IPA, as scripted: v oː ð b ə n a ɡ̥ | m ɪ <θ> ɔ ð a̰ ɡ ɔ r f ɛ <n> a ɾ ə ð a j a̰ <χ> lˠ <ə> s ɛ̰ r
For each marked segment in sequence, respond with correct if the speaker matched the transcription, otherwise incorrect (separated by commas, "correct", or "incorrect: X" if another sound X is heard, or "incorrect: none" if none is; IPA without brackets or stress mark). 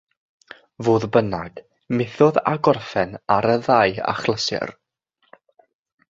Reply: correct, correct, correct, correct